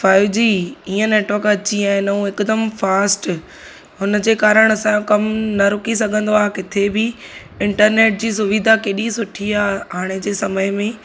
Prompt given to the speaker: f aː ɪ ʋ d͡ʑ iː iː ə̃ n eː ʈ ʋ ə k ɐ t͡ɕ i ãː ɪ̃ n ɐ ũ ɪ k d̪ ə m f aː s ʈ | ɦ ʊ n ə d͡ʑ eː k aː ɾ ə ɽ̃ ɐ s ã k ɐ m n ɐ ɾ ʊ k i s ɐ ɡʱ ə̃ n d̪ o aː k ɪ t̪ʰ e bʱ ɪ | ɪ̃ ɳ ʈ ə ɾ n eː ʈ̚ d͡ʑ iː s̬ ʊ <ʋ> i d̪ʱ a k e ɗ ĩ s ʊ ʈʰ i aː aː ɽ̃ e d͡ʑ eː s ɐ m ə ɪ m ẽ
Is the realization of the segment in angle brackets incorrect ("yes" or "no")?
no